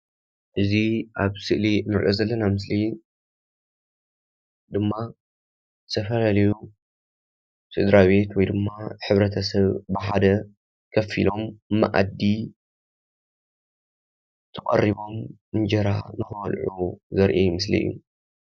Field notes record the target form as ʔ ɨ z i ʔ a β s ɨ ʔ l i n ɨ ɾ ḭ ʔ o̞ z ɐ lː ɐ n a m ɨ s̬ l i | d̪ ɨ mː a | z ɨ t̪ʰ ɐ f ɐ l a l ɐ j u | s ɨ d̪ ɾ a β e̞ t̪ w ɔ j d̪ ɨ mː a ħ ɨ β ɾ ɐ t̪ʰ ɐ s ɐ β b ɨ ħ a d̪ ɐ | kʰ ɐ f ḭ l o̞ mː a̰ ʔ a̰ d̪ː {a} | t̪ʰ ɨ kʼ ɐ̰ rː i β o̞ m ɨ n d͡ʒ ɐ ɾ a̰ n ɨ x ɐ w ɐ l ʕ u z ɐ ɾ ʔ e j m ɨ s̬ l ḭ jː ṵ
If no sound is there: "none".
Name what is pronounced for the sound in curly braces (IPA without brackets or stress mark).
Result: i